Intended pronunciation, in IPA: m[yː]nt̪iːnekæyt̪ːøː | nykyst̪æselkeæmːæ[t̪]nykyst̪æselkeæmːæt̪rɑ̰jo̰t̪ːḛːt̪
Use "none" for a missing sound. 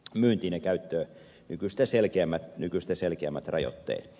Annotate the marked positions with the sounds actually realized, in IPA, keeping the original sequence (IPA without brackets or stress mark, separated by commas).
yː, t̪